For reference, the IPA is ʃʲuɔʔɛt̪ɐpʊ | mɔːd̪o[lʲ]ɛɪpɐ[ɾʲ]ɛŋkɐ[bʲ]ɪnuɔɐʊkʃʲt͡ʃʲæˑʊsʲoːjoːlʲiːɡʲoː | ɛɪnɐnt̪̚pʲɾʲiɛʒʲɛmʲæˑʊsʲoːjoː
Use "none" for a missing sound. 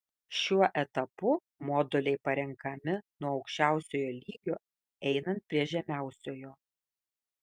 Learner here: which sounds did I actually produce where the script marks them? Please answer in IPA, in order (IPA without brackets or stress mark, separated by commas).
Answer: lʲ, ɾʲ, mʲ